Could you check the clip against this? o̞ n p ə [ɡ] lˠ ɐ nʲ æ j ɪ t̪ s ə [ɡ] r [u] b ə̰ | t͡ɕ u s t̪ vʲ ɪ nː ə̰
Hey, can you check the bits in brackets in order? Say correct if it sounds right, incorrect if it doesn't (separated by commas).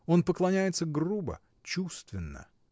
incorrect, correct, correct